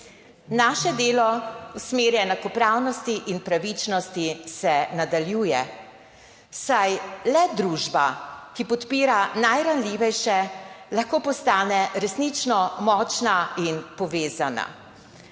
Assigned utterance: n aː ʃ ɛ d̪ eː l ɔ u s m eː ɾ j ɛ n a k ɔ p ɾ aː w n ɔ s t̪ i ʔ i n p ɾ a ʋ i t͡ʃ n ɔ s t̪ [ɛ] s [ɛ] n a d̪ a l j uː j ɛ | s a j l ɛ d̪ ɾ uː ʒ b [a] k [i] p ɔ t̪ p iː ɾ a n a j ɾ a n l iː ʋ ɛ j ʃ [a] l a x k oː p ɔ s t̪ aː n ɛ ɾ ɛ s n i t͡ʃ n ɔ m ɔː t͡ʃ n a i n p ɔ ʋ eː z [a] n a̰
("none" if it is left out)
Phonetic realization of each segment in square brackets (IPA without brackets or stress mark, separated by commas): i, ɛ, a, i, ɛ, a